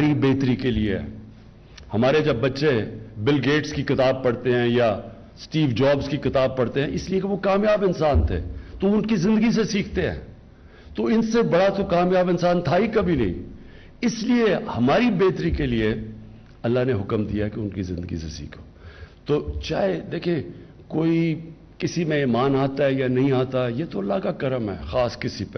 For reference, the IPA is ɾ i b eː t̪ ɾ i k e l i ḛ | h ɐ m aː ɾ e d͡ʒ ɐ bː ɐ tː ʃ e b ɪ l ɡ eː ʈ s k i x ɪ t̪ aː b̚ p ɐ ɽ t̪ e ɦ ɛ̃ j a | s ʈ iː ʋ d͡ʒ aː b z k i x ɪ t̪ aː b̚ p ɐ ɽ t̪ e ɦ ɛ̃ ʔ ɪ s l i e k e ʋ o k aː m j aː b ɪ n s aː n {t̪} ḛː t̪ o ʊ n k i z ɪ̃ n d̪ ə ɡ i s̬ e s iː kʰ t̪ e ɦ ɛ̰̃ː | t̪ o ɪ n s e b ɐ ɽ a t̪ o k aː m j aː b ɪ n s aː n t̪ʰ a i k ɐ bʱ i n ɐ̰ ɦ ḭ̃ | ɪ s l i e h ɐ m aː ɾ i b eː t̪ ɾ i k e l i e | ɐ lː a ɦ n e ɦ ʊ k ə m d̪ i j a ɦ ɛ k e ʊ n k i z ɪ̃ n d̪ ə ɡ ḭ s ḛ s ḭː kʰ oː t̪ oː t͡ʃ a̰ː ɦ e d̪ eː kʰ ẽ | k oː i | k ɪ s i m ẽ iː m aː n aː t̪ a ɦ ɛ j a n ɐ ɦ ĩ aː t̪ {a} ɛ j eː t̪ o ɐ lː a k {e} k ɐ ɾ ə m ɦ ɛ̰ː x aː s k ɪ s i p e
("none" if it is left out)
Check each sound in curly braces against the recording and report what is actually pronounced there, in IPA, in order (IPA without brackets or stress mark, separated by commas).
t̪ʰ, a, a